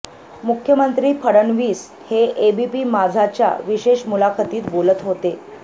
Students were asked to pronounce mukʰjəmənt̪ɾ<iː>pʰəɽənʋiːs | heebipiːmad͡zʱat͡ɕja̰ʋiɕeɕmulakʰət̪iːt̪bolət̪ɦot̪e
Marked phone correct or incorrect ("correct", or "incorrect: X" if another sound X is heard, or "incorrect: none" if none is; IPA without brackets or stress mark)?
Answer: correct